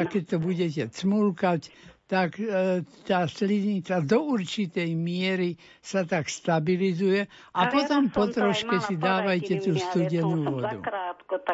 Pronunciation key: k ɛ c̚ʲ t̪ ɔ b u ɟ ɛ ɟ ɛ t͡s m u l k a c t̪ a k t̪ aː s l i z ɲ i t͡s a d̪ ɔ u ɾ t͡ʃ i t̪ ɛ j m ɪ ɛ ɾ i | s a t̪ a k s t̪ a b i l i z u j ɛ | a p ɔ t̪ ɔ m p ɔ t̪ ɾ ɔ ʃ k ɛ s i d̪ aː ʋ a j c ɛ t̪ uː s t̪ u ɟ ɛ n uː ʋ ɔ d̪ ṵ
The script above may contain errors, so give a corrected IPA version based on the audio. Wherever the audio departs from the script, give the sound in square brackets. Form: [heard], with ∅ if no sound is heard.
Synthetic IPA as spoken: k ɛ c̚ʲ t̪ ɔ b u ɟ ɛ [c] ɛ t͡s m u l k a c t̪ a k t̪ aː s l i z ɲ i t͡s a d̪ ɔ u ɾ t͡ʃ i t̪ ɛ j m ɪ ɛ ɾ i | s a t̪ a k s t̪ a b i l i z u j ɛ | a p ɔ t̪ ɔ m p ɔ t̪ ɾ ɔ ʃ k ɛ s i d̪ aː ʋ a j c ɛ t̪ uː s t̪ u ɟ ɛ n uː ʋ ɔ d̪ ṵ